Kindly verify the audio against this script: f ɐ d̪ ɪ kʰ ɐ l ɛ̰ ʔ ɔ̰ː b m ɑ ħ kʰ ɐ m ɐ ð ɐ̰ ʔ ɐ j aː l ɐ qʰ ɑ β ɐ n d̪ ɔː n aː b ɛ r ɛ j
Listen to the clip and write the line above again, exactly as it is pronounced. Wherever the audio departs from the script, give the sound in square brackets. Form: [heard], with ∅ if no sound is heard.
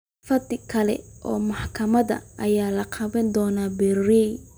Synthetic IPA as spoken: f ɐ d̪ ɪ kʰ ɐ l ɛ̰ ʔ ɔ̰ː [∅] m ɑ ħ kʰ ɐ m ɐ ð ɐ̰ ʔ ɐ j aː l ɐ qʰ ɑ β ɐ n d̪ ɔː n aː b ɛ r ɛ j